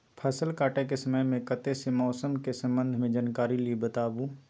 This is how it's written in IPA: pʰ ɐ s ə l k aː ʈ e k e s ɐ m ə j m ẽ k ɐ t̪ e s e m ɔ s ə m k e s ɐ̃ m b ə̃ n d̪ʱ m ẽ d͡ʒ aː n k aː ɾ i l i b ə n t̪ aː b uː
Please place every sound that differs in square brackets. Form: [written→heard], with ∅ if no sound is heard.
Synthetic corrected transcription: pʰ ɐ s ə l k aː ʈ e k e s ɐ m ə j m ẽ k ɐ t̪ e s e m [ɔ→ɔː] s ə m k e s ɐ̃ m b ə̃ n d̪ʱ m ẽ d͡ʒ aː n k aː ɾ i l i b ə [n→∅] t̪ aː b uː